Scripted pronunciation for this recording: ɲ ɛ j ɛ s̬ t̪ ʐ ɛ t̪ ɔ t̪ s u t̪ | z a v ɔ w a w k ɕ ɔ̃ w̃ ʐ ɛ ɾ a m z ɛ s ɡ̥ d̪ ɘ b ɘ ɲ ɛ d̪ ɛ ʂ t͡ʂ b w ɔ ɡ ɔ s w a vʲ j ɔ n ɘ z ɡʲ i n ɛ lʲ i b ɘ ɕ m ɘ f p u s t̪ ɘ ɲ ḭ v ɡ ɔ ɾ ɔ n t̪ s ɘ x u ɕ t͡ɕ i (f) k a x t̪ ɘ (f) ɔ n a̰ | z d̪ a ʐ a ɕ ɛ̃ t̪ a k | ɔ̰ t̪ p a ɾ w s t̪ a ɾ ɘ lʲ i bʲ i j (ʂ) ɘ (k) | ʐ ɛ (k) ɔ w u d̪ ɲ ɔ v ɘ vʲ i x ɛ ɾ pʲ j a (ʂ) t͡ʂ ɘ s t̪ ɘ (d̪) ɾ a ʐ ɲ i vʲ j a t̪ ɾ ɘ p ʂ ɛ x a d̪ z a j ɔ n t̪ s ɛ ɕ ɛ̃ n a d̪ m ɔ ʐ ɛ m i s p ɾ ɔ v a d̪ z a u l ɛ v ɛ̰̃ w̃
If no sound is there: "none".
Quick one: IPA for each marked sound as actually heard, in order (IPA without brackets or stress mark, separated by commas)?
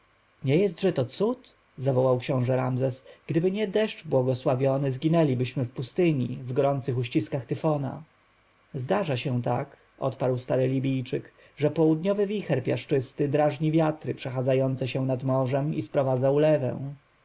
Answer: s, f, t͡ʂ, k, p, ʂ, d̪